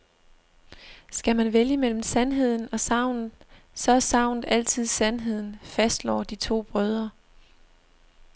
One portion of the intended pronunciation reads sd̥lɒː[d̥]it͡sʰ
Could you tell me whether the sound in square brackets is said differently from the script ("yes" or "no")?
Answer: no